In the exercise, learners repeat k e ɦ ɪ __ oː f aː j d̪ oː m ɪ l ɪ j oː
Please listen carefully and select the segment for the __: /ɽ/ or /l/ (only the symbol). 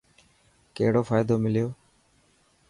ɽ